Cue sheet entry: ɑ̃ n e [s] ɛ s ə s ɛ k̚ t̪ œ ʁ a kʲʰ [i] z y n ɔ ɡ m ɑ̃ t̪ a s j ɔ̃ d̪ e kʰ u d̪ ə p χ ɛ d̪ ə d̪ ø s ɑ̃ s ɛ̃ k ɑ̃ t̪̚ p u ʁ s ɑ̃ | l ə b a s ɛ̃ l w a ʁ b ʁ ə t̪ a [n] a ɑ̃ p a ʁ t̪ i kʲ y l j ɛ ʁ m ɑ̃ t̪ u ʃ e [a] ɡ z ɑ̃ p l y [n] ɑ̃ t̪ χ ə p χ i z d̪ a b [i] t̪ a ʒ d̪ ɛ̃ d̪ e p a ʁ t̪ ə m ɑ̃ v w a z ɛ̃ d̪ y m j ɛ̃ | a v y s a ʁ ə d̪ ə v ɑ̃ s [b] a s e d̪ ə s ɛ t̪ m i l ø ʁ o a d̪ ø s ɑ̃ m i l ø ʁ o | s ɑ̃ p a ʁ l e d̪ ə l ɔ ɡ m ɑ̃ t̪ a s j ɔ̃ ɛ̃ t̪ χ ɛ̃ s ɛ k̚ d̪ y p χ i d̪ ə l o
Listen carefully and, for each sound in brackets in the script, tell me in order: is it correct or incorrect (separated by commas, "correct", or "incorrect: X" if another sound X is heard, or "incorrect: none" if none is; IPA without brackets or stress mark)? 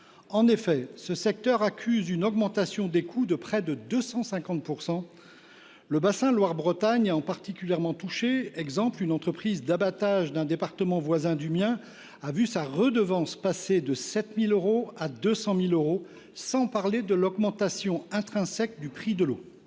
incorrect: f, incorrect: y, incorrect: ɲ, incorrect: ɛ, correct, incorrect: a, incorrect: p